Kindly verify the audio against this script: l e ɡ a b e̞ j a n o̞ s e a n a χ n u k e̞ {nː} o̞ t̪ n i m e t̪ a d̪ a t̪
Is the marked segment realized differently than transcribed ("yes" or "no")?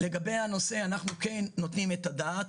no